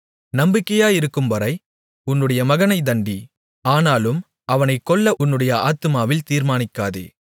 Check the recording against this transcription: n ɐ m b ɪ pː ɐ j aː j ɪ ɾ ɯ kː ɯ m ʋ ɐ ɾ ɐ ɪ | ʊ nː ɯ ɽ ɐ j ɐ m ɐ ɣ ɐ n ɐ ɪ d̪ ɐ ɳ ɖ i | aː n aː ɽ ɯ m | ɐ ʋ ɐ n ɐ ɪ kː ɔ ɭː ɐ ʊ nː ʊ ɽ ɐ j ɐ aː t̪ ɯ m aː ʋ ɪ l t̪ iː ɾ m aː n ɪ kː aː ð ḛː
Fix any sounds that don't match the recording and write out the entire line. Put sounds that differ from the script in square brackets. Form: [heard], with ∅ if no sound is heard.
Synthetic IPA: n ɐ m b ɪ [kː] ɐ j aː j ɪ ɾ ɯ kː ɯ m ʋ ɐ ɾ ɐ ɪ | ʊ nː ɯ ɽ ɐ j ɐ m ɐ ɣ ɐ n ɐ ɪ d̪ ɐ ɳ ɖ i | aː n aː [l] ɯ m | ɐ ʋ ɐ n ɐ ɪ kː ɔ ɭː ɐ ʊ nː [ɯ] ɽ ɐ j ɐ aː t̪ ɯ m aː ʋ ɪ l t̪ iː ɾ m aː n ɪ kː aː ð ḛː